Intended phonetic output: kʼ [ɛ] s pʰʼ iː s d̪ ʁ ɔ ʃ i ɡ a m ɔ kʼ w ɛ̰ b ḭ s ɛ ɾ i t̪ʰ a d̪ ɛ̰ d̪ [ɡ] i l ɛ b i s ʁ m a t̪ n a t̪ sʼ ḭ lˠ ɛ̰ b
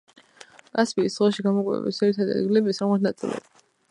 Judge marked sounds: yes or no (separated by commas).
no, yes